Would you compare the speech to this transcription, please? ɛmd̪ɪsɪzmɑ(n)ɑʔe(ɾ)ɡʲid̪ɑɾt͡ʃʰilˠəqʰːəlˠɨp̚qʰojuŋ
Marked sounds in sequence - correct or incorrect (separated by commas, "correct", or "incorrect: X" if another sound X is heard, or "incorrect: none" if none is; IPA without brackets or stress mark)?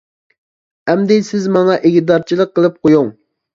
incorrect: ŋ, incorrect: none